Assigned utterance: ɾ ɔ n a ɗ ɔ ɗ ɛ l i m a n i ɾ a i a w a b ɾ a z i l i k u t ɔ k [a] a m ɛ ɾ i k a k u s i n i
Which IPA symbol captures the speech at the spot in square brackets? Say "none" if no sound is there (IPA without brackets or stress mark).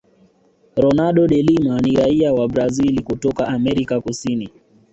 a